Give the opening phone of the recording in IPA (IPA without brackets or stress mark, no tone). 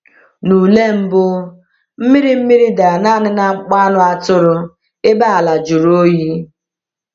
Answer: n